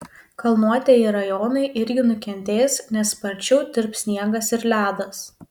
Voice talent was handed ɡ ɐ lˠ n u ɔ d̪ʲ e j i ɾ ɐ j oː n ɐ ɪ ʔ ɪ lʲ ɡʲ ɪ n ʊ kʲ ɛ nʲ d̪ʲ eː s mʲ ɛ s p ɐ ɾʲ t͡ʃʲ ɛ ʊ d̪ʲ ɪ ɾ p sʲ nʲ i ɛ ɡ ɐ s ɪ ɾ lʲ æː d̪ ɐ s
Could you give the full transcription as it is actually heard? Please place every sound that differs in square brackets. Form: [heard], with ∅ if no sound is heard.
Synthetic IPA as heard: [k] ɐ lˠ n u ɔ [t̪ʲ] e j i ɾ ɐ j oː n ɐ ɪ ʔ ɪ [ɾʲ] ɡʲ ɪ n ʊ kʲ ɛ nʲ [t̪ʲ] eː s [nʲ] ɛ s p ɐ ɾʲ t͡ʃʲ ɛ ʊ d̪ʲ ɪ ɾ p sʲ nʲ i ɛ ɡ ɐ s ɪ ɾ lʲ æː d̪ ɐ s